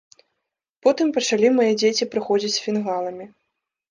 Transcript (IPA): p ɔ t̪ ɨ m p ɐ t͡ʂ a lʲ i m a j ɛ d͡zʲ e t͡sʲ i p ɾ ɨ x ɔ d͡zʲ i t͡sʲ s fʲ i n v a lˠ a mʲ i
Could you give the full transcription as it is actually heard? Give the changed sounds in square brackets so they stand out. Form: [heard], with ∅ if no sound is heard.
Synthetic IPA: p ɔ t̪ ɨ m p ɐ t͡ʂ a lʲ i m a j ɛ d͡zʲ e t͡sʲ i p ɾ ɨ x ɔ d͡zʲ i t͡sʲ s fʲ i n [ɣ] a lˠ [ɐ] mʲ i